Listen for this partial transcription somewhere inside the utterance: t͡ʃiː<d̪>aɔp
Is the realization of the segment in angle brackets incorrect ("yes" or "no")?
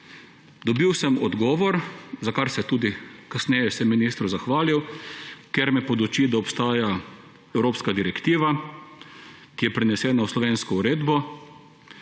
no